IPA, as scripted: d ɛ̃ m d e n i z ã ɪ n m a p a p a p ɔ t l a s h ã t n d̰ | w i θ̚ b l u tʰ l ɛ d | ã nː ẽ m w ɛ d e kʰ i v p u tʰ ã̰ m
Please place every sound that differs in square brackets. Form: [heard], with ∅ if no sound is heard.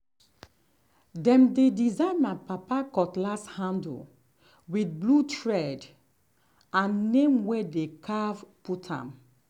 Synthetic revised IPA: d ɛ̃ m d e [d] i z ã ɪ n m a p a p a [k] ɔ t l a s h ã [∅] n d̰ | w i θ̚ b l u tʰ [ɹ] ɛ d | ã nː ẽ m w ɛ d e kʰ [a] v p u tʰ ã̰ m